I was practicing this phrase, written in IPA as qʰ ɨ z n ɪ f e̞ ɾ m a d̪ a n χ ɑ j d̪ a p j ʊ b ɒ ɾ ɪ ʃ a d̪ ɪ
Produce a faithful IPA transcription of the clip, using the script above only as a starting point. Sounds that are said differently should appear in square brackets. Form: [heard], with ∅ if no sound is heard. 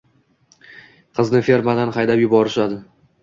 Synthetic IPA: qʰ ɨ z n ɪ f e̞ ɾ m a d̪ a n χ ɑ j d̪ a p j ʊ b ɒ ɾ ɪ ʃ a d̪ ɪ